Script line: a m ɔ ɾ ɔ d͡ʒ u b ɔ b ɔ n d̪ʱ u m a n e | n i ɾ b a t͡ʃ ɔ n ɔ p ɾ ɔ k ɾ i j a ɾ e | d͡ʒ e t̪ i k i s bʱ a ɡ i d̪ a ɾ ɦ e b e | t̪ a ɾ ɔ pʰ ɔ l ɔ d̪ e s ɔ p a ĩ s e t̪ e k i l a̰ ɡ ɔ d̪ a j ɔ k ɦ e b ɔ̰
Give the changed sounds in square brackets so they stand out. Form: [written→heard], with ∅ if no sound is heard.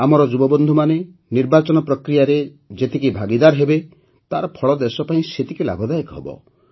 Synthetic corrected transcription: a m ɔ ɾ ɔ d͡ʒ u b ɔ b ɔ n d̪ʱ u m a n e | n i ɾ b a t͡ʃ ɔ n ɔ p ɾ ɔ k ɾ i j a ɾ e | d͡ʒ e t̪ i k i [s→∅] bʱ a ɡ i d̪ a ɾ ɦ e b e | t̪ a ɾ ɔ pʰ ɔ [l→ɭ] ɔ d̪ e s ɔ p a ĩ s e t̪ [e→i] k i l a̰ ɡ ɔ d̪ a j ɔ k ɦ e b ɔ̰